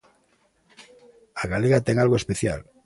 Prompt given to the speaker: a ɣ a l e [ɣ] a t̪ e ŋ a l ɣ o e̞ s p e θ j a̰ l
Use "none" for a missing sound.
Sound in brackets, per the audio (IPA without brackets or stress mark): ɣ